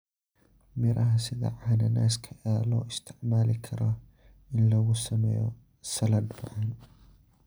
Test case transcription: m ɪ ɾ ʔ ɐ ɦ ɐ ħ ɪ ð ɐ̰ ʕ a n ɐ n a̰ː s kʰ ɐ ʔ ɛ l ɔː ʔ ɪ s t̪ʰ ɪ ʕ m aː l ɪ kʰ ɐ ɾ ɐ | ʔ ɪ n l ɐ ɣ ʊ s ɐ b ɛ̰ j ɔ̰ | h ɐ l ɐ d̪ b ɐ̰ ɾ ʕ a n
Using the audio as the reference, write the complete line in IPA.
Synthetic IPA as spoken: m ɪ ɾ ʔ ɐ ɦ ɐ s ɪ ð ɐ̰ ʕ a n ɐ n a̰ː s kʰ ɐ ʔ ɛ l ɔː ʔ ɪ s t̪ʰ ɪ ʕ m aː l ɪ kʰ ɐ ɾ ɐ | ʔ ɪ n l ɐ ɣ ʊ s ɐ m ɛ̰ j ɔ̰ | s ɐ l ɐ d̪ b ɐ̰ ʕ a n